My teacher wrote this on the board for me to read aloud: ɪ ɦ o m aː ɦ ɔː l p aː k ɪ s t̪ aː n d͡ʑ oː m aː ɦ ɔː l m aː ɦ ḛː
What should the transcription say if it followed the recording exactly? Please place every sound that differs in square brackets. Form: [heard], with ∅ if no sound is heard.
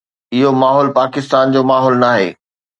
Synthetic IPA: ɪ ɦ o m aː ɦ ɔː l p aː k ɪ s t̪ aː n d͡ʑ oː m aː ɦ ɔː l [n] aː ɦ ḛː